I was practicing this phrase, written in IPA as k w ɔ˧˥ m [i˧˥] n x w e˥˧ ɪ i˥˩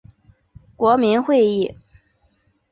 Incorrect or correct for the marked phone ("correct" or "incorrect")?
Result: correct